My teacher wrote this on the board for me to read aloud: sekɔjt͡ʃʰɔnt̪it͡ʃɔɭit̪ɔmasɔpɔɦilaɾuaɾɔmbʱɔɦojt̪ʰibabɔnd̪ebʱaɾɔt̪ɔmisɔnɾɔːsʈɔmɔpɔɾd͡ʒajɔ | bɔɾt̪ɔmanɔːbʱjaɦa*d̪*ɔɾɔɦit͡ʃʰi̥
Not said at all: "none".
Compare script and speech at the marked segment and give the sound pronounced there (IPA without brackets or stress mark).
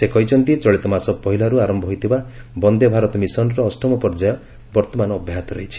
t̪